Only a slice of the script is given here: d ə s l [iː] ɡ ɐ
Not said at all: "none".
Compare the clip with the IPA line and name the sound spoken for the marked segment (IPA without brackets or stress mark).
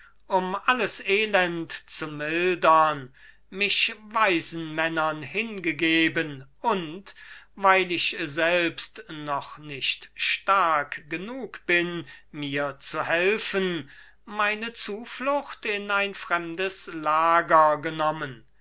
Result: aː